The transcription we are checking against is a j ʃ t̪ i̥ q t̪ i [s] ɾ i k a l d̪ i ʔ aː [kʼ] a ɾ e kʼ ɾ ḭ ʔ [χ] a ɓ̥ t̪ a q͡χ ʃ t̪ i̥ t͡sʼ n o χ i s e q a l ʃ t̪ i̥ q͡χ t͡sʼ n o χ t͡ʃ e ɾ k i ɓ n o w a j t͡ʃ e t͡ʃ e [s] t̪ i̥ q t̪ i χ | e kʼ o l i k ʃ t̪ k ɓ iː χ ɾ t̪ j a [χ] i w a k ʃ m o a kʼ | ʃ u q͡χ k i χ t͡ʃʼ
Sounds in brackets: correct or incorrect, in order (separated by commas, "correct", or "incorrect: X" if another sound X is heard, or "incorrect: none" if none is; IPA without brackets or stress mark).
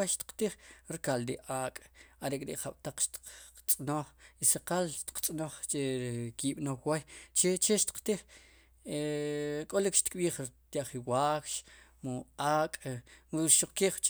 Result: incorrect: χ, correct, correct, incorrect: ʃ, correct